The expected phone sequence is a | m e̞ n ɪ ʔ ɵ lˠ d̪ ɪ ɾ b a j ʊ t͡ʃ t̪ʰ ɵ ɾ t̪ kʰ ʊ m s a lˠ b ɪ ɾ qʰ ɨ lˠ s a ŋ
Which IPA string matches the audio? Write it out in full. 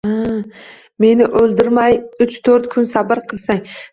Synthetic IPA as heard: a | m e̞ n ɪ ʔ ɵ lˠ d̪ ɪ ɾ m a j ʊ t͡ʃ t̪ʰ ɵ ɾ t̪ kʰ ʊ n s a b ɪ ɾ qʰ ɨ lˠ s a ŋ